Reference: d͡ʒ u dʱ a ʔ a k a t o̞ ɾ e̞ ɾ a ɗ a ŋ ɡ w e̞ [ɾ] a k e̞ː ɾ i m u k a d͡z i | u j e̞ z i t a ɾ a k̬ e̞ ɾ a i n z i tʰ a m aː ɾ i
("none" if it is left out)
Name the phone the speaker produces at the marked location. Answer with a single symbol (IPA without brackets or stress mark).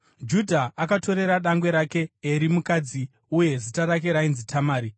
ɾ